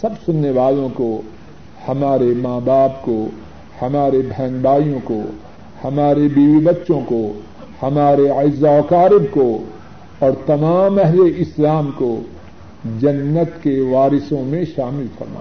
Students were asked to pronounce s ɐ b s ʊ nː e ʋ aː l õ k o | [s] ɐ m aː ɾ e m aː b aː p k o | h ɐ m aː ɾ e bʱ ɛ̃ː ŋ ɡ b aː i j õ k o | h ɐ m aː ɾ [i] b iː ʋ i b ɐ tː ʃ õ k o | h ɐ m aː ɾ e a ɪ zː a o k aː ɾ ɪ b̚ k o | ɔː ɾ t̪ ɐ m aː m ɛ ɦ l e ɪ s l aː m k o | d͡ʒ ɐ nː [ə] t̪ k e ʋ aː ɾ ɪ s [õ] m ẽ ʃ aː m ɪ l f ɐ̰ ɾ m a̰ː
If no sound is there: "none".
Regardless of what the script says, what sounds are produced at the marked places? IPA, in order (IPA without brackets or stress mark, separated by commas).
h, e, ə, õ